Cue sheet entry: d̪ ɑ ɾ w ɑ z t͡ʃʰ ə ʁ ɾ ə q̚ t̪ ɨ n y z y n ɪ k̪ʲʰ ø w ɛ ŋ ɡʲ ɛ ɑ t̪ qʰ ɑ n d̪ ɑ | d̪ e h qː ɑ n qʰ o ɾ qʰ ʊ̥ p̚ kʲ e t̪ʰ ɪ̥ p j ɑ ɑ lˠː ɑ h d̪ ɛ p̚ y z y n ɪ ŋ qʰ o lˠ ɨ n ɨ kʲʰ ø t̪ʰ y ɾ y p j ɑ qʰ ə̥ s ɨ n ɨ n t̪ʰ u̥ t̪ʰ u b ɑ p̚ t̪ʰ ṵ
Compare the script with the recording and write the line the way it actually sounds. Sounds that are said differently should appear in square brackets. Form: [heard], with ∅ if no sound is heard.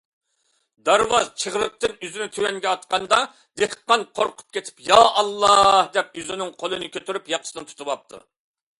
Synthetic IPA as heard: d̪ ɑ ɾ w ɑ z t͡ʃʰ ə ʁ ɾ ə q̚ t̪ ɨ n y z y n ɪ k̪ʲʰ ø w ɛ ŋ ɡʲ ɛ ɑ t̪ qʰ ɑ n d̪ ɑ | d̪ e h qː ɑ n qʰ o ɾ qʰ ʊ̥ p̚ kʲ e t̪ʰ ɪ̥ p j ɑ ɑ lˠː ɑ h d̪ ɛ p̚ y z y n ɪ ŋ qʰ o lˠ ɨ n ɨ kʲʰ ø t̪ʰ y ɾ y p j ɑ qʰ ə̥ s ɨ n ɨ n t̪ʰ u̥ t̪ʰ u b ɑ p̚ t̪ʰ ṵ